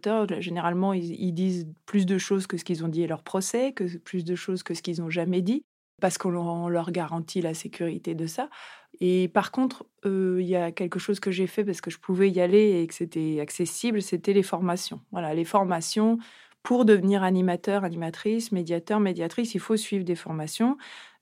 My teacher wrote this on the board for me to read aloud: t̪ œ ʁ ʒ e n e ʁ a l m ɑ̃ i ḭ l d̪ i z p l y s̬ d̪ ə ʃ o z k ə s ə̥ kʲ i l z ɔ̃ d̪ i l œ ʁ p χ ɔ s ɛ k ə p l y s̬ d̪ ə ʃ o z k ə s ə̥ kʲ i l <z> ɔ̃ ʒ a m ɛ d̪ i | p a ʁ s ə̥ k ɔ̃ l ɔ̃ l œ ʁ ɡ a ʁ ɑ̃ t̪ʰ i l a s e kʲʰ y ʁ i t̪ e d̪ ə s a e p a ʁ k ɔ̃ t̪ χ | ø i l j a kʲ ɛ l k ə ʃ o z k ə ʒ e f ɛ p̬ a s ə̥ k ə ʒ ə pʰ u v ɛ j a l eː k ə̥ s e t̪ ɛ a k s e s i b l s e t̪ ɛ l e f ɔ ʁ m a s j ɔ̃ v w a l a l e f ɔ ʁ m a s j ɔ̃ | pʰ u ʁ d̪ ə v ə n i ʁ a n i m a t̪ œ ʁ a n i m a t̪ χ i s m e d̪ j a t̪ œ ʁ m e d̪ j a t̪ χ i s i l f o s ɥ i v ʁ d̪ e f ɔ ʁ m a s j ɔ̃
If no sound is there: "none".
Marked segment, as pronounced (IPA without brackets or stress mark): z